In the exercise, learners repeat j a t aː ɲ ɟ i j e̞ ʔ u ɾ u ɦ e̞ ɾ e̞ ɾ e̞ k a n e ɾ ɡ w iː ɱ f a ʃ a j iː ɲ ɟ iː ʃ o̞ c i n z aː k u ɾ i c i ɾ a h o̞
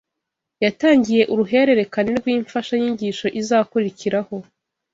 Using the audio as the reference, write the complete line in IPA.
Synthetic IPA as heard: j a t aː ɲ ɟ i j e̞ ʔ u ɾ u ɦ e̞ ɾ e̞ ɾ e̞ k a n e ɾ ɡ w iː ɱ f a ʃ a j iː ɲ ɟ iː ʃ o̞ ʔ i z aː k u ɾ i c i ɾ a h o̞